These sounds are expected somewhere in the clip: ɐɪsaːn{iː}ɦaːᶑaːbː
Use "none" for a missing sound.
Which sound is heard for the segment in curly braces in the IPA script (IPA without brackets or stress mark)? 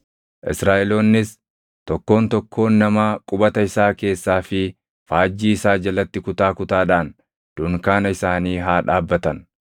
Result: iː